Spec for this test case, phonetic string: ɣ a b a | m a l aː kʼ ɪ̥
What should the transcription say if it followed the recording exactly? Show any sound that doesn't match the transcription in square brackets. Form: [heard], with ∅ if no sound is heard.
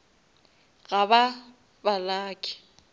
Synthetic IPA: ɣ a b a | [b] a l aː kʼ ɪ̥